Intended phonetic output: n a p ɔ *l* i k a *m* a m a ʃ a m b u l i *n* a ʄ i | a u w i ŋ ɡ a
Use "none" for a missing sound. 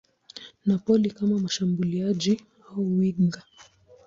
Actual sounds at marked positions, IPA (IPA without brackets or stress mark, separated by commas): l, m, none